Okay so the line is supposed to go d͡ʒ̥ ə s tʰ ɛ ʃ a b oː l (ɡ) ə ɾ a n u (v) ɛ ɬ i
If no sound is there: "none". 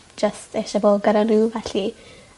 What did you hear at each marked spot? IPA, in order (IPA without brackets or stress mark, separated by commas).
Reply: ɡ, v